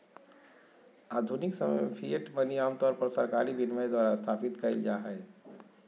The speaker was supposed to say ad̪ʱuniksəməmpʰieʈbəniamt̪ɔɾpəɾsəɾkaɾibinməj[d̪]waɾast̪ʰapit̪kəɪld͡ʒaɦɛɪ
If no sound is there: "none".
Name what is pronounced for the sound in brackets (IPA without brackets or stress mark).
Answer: d̪